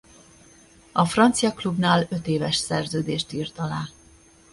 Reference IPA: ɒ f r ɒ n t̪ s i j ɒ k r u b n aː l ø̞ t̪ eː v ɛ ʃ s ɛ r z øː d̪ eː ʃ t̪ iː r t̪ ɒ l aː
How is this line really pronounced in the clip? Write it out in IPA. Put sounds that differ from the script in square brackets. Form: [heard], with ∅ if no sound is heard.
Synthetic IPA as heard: ɒ f r ɒ n t̪ s i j ɒ k [l] u b n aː l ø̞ t̪ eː v ɛ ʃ s ɛ r z øː d̪ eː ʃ t̪ iː r t̪ ɒ l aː

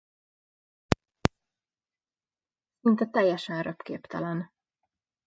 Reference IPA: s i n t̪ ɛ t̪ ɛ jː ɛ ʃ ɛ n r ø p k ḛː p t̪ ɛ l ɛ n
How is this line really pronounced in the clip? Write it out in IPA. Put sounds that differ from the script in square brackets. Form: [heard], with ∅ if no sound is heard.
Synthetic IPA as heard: s i n t̪ ɛ t̪ ɛ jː ɛ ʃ ɛ n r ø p k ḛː p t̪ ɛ l ɛ n

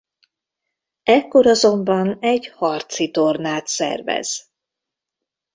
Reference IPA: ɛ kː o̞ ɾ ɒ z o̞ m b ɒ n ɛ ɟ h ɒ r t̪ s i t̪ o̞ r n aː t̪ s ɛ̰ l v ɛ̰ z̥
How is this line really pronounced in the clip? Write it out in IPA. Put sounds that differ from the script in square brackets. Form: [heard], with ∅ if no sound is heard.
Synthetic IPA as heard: ɛ kː o̞ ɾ ɒ z o̞ m b ɒ n ɛ ɟ h ɒ r t̪ s i t̪ o̞ r n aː t̪ s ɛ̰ [r] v ɛ̰ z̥

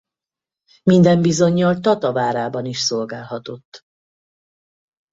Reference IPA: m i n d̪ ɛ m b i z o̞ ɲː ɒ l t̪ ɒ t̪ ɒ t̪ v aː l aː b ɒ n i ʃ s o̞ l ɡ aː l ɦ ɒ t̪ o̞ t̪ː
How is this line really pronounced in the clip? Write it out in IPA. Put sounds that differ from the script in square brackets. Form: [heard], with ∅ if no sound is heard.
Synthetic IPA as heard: m i n d̪ ɛ m b i z o̞ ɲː ɒ l t̪ ɒ t̪ ɒ [∅] v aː [ɾ] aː b ɒ n i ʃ s o̞ l ɡ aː l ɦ ɒ t̪ o̞ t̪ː

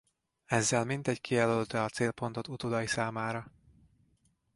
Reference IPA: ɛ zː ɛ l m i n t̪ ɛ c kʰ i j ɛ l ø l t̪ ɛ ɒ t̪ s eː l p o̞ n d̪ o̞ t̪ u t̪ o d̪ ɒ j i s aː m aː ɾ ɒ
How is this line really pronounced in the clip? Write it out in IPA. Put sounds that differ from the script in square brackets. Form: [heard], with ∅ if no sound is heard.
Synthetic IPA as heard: ɛ zː ɛ l m i n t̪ ɛ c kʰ i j ɛ l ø l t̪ ɛ ɒ t̪ s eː l p o̞ n [t̪] o̞ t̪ u t̪ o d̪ ɒ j i s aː m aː ɾ ɒ

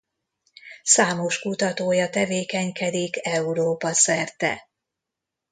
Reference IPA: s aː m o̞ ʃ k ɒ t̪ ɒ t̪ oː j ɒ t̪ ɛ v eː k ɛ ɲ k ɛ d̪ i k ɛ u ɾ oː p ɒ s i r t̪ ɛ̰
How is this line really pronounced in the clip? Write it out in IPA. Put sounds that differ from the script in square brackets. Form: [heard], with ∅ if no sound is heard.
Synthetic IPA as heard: s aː m o̞ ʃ k [u] t̪ ɒ t̪ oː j ɒ t̪ ɛ v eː k ɛ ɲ k ɛ d̪ i k ɛ u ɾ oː p ɒ s [ɛ] r t̪ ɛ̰

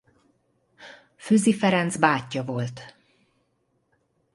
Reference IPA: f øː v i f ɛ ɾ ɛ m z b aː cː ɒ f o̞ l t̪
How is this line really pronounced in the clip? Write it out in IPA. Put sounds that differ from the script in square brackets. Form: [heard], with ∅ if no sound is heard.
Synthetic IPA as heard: f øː [z] i f ɛ ɾ ɛ [n] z b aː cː ɒ [v] o̞ l t̪

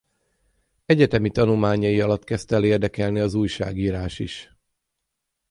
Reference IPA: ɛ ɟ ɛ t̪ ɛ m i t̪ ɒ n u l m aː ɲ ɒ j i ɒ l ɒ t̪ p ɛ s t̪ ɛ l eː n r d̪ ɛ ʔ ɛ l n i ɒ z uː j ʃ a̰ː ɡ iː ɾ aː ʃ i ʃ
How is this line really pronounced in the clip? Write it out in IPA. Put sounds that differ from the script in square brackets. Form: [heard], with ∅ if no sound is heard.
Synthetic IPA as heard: ɛ ɟ ɛ t̪ ɛ m i t̪ ɒ n u l m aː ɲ ɒ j i ɒ l ɒ t̪ [k] ɛ s t̪ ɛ l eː [∅] r d̪ ɛ [k] ɛ l n i ɒ z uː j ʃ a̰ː ɡ iː ɾ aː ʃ i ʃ

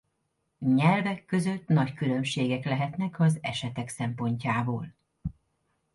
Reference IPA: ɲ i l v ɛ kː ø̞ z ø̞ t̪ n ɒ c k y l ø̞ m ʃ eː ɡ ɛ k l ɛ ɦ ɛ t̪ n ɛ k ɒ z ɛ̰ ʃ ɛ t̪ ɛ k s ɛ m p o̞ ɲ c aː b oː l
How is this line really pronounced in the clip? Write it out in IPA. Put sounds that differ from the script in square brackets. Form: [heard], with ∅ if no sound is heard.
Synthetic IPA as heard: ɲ [ɛ] l v ɛ kː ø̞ z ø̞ t̪ n ɒ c k y l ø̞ m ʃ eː ɡ ɛ k l ɛ ɦ ɛ t̪ n ɛ k ɒ z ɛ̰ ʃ ɛ t̪ ɛ k s ɛ m p o̞ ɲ c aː b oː l

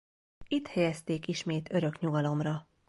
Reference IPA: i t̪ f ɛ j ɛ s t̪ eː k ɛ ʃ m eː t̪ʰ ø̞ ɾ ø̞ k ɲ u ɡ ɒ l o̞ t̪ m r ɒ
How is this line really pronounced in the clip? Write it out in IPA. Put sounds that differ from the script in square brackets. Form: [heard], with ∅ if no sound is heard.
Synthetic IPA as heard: i t̪ [h] ɛ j ɛ s t̪ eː k [i] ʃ m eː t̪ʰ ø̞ ɾ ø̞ k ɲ u ɡ ɒ l o̞ [∅] m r ɒ

